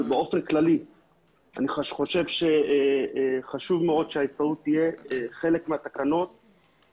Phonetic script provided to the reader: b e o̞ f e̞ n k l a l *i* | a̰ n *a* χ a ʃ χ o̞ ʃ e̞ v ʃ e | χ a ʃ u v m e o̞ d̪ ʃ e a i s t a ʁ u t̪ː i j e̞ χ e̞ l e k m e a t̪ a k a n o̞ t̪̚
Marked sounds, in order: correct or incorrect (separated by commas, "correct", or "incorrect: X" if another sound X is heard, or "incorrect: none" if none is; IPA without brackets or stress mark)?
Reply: correct, incorrect: i